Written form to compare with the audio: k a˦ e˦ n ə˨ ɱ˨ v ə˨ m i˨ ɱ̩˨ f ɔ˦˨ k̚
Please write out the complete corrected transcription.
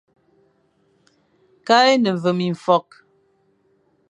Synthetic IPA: k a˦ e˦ n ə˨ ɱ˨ v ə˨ m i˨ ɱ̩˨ f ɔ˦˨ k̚